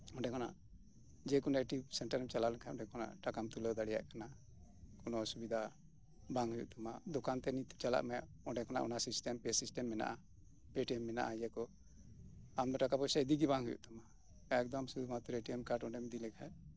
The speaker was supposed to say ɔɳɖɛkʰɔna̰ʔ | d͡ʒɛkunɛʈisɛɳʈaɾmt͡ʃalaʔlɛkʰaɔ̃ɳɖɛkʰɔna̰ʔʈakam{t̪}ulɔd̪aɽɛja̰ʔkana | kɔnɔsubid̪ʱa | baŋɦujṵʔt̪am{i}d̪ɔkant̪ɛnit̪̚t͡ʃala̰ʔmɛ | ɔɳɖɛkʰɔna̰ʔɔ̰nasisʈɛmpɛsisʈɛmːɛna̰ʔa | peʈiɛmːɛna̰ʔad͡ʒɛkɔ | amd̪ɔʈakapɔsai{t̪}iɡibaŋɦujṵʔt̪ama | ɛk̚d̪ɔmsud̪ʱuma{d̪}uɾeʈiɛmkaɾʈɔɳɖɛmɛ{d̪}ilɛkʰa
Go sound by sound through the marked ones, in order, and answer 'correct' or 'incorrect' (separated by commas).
correct, incorrect, incorrect, incorrect, correct